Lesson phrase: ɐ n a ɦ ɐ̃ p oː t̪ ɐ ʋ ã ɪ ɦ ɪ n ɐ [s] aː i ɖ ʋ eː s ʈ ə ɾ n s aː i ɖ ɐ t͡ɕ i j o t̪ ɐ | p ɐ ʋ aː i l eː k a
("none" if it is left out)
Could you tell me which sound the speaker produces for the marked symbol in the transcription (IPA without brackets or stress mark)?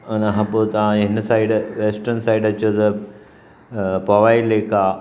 s